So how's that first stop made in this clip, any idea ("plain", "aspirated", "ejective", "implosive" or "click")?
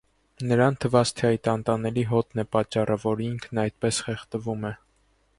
aspirated